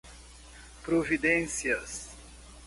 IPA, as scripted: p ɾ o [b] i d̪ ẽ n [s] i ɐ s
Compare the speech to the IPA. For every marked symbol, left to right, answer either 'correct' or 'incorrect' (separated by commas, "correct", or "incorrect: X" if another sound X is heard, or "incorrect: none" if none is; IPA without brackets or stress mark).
incorrect: v, correct